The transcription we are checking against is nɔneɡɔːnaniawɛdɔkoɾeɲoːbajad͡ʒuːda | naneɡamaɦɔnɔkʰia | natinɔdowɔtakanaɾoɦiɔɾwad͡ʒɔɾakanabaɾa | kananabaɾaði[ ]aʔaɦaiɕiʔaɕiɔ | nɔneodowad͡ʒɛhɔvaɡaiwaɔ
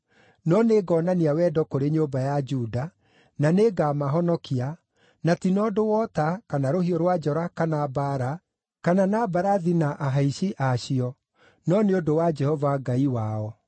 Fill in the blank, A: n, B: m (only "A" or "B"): A